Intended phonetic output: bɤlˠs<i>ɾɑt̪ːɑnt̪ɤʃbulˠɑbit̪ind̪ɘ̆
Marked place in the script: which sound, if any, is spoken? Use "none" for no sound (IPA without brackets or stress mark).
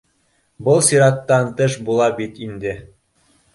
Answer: i